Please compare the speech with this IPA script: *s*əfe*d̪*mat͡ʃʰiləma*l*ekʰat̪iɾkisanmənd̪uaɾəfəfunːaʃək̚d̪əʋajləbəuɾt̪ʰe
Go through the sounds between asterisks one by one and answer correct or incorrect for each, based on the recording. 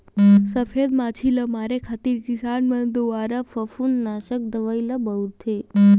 correct, correct, incorrect

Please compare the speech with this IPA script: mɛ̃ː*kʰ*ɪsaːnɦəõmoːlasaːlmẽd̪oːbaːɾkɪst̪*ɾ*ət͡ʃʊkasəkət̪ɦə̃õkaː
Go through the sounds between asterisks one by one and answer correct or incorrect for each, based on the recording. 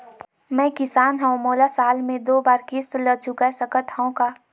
incorrect, incorrect

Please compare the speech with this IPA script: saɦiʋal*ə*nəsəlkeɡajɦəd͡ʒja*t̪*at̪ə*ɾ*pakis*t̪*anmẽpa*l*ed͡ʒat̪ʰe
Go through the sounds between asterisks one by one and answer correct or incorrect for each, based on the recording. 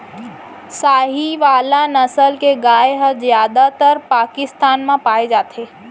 incorrect, incorrect, correct, correct, incorrect

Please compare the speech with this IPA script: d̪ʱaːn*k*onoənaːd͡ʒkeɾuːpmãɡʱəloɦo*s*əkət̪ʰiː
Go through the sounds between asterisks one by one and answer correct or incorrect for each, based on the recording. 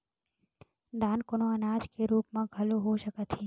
correct, incorrect

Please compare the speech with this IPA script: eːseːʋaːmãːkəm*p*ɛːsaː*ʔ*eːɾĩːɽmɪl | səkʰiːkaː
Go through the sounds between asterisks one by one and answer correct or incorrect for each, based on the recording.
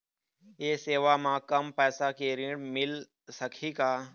correct, incorrect

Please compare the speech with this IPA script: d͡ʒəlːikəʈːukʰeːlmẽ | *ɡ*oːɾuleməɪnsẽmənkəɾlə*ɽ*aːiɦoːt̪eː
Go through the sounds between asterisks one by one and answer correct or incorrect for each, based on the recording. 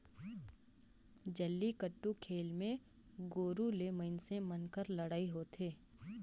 correct, correct

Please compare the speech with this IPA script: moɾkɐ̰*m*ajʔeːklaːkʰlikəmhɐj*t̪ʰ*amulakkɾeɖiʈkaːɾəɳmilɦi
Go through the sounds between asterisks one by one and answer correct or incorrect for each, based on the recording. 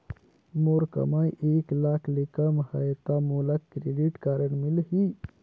correct, incorrect

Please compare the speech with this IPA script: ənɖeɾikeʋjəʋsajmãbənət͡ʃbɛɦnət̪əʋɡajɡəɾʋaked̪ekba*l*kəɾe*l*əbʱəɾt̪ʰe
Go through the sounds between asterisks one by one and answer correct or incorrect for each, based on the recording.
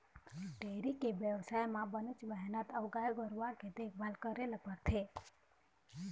correct, correct

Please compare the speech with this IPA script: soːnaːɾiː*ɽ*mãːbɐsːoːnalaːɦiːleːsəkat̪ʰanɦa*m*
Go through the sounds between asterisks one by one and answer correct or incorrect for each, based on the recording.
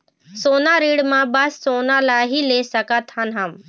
correct, correct

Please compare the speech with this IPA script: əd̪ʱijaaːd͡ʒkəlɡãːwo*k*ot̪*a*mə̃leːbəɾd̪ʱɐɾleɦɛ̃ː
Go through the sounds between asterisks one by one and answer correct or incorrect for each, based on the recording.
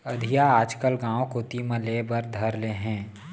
correct, incorrect

